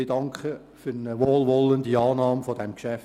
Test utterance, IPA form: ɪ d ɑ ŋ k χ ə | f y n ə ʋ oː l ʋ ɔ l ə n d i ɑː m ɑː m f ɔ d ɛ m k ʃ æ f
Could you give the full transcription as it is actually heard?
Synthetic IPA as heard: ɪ d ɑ ŋ k χ ə | f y n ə ʋ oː l ʋ ɔ l ə n d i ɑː n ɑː m f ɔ d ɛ m k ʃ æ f